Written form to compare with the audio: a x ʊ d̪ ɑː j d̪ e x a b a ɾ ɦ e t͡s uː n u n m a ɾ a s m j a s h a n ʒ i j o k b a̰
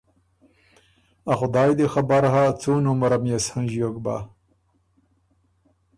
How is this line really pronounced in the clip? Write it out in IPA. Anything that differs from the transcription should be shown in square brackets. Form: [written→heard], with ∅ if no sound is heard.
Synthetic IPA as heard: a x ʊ d̪ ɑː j d̪ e x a b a ɾ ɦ [e→a] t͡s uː n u [n→∅] m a ɾ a [s→∅] m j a s h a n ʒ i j o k b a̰